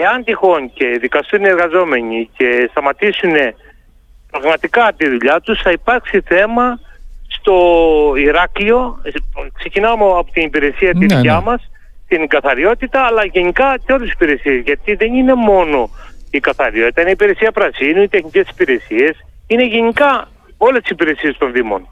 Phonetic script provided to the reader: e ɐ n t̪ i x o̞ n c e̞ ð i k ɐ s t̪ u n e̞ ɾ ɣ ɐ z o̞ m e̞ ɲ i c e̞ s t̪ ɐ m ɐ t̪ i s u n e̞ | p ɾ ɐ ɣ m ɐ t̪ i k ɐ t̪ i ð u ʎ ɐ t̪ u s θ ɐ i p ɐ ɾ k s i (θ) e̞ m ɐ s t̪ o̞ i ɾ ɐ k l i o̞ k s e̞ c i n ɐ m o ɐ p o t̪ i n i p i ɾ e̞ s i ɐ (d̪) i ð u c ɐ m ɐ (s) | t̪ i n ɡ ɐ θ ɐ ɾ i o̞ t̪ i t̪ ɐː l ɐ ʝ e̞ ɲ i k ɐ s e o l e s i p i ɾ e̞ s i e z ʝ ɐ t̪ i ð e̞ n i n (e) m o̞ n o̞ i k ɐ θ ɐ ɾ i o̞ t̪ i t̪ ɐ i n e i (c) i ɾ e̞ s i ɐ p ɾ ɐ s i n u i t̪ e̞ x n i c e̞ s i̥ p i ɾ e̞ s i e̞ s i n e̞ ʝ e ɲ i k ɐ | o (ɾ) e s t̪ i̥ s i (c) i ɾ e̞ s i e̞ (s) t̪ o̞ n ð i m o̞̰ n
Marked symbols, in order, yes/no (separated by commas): yes, no, yes, yes, no, no, no, yes